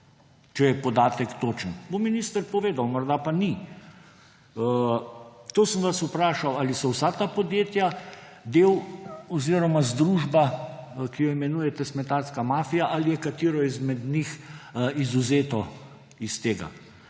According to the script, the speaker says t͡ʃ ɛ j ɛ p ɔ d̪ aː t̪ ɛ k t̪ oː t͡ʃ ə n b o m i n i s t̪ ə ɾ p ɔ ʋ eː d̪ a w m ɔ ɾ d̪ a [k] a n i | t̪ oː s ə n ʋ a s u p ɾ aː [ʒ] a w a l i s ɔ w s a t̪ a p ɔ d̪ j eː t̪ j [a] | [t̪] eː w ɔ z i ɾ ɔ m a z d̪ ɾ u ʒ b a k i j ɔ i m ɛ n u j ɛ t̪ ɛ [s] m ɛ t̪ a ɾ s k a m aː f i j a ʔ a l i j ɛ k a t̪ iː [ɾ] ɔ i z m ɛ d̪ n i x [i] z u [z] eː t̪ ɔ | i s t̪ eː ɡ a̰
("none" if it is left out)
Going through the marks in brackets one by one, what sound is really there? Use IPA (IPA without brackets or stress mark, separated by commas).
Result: p, ʃ, a, d̪, s, ɾ, i, z